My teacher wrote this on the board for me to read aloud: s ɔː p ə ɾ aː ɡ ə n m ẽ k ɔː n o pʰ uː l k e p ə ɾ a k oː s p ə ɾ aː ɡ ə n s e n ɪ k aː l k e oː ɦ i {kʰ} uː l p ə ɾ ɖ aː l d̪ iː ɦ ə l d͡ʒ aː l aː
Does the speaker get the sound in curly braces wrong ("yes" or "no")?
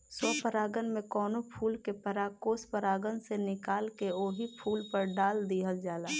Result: yes